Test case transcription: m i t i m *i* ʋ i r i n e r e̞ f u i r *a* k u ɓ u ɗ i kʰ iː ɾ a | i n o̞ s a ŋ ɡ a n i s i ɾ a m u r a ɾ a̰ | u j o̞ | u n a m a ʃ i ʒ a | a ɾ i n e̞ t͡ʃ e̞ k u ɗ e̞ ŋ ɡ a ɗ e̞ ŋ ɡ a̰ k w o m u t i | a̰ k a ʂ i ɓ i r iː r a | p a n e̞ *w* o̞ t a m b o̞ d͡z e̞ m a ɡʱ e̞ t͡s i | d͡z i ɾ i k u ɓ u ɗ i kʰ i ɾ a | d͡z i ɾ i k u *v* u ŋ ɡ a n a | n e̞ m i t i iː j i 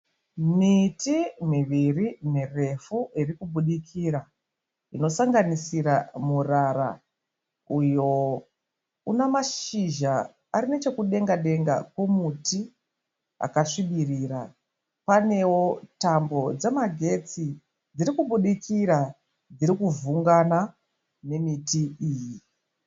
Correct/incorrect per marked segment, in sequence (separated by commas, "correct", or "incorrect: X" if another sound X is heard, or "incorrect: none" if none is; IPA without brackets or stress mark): correct, incorrect: i, correct, correct